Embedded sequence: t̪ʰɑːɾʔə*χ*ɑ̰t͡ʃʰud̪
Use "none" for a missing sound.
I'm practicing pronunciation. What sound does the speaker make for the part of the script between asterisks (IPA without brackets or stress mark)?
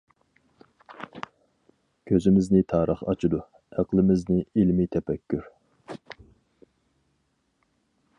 χ